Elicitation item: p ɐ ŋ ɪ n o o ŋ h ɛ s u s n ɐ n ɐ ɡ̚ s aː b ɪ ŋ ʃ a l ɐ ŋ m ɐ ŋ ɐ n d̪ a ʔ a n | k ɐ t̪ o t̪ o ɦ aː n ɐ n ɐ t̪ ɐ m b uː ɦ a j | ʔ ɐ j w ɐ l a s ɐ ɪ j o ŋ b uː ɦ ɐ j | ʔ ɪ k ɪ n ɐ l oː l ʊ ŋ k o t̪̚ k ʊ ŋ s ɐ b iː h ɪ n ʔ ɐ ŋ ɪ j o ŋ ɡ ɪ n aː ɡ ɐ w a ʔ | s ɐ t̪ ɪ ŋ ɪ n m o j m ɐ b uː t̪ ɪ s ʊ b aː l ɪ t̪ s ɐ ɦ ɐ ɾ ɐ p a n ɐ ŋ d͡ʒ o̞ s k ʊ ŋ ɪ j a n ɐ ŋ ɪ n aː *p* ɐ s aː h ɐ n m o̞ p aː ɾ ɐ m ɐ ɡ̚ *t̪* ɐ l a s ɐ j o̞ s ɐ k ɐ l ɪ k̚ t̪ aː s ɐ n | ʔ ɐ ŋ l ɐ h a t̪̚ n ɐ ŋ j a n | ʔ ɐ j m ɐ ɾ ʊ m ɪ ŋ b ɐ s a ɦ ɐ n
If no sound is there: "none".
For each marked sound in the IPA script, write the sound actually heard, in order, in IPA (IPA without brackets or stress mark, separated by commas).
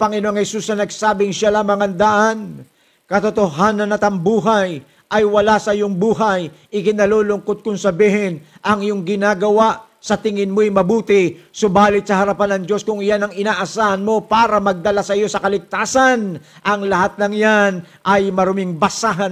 ʔ, d̪